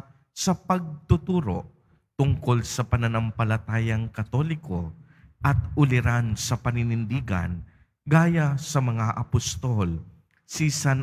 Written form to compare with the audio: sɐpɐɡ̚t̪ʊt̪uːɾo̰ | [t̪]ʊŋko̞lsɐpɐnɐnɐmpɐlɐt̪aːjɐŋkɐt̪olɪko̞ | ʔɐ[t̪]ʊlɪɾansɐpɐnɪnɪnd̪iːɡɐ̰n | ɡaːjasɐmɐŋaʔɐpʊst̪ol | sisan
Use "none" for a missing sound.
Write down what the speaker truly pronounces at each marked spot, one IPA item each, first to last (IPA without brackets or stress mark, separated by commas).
t̪, t̪